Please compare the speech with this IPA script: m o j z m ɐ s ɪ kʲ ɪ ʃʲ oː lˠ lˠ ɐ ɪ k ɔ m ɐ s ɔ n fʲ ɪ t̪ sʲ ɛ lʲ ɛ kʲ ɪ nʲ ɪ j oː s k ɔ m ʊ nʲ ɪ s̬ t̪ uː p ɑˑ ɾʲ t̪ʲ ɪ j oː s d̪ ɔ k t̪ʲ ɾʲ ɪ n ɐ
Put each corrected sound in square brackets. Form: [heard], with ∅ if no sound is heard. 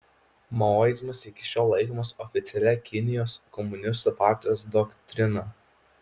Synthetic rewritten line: m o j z m ɐ s ɪ kʲ ɪ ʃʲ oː lˠ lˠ ɐ ɪ k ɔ m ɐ s ɔ [∅] fʲ ɪ t̪ sʲ ɛ lʲ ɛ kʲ ɪ nʲ ɪ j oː s k ɔ m ʊ nʲ ɪ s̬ t̪ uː p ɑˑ ɾʲ t̪ʲ ɪ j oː s d̪ ɔ k t̪ʲ ɾʲ ɪ n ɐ